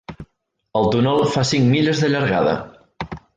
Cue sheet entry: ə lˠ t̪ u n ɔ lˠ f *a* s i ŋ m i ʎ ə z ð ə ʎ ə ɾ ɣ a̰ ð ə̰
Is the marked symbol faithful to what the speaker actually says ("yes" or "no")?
yes